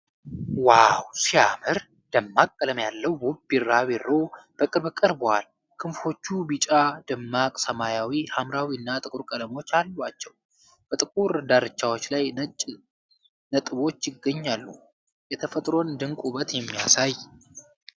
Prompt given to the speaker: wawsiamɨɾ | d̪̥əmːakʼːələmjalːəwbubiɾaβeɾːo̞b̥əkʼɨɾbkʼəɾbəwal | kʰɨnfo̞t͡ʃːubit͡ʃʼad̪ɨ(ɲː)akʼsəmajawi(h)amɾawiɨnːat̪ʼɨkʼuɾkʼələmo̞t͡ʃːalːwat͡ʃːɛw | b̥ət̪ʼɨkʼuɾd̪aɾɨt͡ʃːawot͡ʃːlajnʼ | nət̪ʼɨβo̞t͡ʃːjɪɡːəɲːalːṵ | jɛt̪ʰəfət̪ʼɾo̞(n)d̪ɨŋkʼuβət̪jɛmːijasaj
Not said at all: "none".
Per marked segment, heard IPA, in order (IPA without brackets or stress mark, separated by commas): mː, h, n